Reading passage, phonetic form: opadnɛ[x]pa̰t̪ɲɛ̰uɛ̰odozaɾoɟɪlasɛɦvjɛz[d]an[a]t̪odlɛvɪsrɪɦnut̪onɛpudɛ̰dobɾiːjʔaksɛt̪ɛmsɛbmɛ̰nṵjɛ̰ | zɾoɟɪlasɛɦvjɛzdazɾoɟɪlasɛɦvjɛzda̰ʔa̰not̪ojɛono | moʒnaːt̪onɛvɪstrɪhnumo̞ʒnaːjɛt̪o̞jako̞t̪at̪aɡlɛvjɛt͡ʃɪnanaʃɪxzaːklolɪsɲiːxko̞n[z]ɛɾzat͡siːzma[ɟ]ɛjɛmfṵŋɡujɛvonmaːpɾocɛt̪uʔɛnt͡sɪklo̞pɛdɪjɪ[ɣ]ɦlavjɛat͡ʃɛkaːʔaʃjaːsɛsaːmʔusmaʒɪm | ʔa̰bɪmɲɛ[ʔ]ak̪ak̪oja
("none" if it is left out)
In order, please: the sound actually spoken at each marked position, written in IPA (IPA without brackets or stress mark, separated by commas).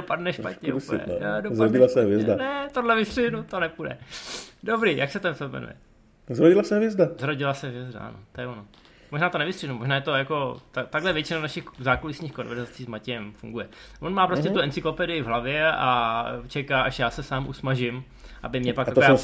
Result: ʃ, d, ɛ, v, c, v, p